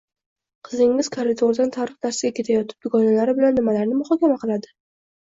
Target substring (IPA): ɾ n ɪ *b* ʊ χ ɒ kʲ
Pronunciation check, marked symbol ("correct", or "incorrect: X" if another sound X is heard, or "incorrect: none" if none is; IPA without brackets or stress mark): incorrect: m